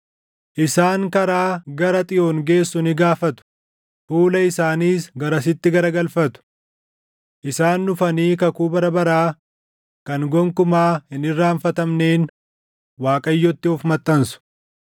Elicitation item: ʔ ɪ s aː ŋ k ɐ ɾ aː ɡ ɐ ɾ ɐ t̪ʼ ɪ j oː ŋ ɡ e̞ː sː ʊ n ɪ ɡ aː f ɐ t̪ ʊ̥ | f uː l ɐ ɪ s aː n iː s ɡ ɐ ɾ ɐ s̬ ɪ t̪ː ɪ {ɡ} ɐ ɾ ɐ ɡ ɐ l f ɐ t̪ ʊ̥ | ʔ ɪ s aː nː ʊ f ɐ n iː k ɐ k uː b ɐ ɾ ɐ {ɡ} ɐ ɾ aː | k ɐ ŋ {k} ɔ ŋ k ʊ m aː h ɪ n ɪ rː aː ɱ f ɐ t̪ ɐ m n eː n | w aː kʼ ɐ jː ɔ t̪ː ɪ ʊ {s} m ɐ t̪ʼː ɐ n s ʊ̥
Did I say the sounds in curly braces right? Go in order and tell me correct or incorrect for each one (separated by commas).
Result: correct, incorrect, incorrect, incorrect